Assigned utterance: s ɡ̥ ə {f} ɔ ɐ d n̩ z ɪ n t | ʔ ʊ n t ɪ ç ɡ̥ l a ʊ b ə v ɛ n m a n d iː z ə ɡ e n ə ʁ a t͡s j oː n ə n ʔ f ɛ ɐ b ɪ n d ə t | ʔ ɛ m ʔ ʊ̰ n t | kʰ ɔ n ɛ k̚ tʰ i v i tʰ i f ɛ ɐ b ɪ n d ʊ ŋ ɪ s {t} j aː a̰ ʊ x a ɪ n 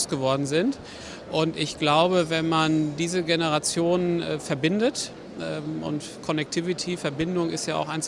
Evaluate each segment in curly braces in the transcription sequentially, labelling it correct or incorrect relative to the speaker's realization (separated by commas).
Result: incorrect, correct